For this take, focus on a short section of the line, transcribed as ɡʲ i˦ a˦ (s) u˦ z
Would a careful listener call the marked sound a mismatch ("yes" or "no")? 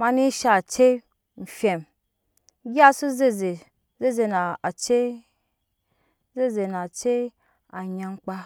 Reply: no